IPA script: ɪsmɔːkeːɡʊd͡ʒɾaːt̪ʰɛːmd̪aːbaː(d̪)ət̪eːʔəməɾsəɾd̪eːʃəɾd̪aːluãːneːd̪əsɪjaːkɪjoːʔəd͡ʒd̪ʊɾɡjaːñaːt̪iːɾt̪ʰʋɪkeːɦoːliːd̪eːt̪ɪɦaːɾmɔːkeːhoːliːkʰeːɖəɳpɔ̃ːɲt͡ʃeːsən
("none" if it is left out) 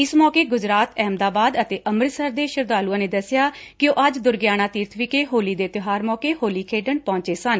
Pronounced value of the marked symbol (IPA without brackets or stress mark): d̪